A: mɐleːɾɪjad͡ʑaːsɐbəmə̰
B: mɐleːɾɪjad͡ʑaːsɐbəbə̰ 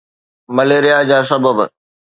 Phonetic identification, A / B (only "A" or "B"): B